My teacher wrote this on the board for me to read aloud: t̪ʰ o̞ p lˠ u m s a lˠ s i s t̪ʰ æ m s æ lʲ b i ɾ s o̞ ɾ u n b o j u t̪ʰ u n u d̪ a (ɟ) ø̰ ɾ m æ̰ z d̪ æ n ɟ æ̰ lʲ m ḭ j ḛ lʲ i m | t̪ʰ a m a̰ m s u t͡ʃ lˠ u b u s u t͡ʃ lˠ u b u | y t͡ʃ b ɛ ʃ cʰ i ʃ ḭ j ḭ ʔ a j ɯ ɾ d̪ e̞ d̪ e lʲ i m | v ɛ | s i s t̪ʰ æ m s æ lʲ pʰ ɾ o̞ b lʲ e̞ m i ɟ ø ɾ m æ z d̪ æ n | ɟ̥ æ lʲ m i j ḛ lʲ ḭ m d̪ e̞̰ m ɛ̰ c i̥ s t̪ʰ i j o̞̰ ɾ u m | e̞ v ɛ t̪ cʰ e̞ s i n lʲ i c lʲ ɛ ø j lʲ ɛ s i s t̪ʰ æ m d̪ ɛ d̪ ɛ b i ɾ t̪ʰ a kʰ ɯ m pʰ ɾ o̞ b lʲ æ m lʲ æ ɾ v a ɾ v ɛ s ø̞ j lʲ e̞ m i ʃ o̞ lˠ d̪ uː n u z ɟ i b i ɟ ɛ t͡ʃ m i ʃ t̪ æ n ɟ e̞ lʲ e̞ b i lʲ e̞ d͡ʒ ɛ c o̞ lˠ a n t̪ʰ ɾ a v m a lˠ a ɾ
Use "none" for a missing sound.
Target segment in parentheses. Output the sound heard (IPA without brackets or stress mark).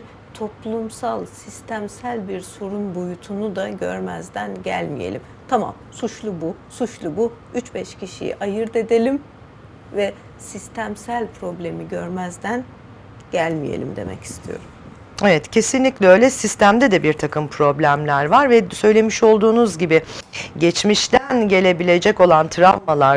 ɟ